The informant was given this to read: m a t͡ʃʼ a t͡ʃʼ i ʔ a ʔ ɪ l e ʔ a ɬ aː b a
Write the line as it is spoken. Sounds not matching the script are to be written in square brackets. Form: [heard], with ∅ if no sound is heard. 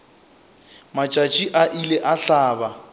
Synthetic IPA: m a t͡ʃʼ a t͡ʃʼ i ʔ a ʔ [i] l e ʔ a ɬ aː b a